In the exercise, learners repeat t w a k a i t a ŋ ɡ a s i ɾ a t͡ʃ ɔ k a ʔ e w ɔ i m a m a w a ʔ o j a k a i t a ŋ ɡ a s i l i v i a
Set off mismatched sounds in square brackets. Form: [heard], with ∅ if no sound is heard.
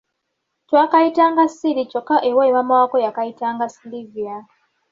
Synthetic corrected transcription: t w a k a i t a ŋ ɡ a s i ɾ [i] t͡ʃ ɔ k a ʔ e w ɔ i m a m a w a [k] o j a k a i t a ŋ ɡ a s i l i v i a